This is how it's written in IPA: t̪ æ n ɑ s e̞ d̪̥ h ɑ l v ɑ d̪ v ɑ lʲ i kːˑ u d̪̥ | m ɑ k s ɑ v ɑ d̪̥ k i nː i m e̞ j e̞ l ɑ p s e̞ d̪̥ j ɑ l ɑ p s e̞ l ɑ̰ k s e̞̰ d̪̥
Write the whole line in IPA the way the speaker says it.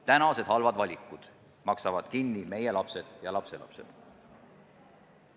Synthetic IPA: t̪ æ n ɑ s e̞ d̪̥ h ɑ l v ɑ d̪ v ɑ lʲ i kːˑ u d̪̥ | m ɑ k s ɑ v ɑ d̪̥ k i nː i m e̞ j e̞ l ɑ p s e̞ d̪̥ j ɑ l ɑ p s e̞ l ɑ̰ p s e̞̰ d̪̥